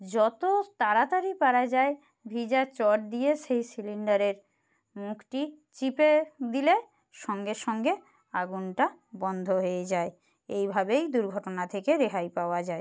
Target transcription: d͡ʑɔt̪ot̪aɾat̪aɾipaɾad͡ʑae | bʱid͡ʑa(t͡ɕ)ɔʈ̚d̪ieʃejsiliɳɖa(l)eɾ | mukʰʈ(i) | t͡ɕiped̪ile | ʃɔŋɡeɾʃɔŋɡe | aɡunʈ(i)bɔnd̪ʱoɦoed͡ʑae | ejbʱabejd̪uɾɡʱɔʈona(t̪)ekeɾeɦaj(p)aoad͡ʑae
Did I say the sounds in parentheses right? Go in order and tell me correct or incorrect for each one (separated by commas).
correct, incorrect, correct, incorrect, incorrect, correct